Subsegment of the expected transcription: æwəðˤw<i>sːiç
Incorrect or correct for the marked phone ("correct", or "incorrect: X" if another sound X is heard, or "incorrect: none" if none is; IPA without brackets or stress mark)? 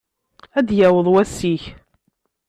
incorrect: æ